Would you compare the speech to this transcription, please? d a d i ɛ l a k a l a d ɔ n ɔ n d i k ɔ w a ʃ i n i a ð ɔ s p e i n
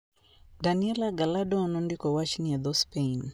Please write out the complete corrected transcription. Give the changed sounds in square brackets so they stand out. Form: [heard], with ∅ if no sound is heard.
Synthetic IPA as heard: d a [n] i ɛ l a [ɡ] a l a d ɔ n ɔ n d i k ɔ w a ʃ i n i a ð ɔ s p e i n